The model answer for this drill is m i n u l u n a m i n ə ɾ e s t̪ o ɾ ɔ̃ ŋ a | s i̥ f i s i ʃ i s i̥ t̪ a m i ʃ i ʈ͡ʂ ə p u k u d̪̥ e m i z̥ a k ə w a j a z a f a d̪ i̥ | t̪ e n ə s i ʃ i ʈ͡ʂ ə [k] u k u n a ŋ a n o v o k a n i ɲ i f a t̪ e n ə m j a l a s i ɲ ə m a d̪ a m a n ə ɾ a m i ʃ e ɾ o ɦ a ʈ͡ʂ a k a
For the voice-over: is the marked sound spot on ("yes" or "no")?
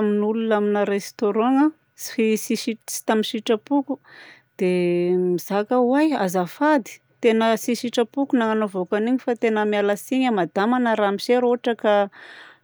no